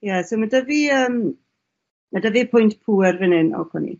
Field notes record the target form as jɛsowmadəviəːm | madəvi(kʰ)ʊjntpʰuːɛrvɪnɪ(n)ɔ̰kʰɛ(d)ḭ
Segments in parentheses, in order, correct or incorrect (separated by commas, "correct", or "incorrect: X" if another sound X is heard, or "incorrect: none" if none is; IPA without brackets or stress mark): incorrect: pʰ, correct, incorrect: n